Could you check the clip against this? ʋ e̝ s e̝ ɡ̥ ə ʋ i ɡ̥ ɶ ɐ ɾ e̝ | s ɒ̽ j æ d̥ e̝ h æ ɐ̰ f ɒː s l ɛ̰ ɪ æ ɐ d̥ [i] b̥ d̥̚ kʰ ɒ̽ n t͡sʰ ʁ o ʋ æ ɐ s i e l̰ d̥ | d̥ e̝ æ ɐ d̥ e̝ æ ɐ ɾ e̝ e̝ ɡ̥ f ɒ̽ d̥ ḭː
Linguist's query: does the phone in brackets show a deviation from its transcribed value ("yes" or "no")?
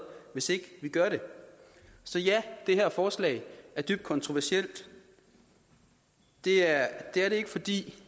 yes